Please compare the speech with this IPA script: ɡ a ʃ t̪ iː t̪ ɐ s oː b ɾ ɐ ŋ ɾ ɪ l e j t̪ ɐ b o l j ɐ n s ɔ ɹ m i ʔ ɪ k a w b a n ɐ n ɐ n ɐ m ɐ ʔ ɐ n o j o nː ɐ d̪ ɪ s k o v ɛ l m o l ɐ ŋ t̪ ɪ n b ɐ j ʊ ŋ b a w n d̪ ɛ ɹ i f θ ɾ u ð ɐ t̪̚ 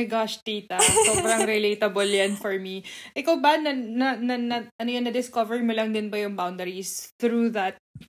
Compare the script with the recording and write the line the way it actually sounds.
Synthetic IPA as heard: ɡ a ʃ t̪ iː t̪ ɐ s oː b ɾ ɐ ŋ ɾ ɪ l e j t̪ ɐ b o l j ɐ n f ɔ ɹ m i ʔ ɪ k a w b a n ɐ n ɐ n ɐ n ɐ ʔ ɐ n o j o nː ɐ d̪ ɪ s k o v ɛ ɹ m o l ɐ ŋ d̪ ɪ n b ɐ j ʊ ŋ b a w n d̪ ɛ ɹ i s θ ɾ u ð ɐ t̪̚